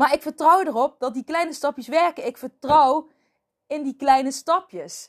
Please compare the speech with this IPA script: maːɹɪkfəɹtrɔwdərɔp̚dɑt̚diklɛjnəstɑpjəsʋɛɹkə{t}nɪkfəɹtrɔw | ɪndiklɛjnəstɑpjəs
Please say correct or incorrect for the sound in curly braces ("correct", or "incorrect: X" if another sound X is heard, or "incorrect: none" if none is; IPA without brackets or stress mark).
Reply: incorrect: none